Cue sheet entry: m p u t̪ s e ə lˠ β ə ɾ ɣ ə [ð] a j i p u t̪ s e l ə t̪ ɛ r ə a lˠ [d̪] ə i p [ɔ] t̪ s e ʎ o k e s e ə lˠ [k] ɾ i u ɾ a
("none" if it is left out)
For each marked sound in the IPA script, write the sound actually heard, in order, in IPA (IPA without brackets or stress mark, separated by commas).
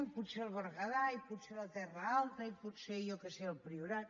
ð, t̪, u, p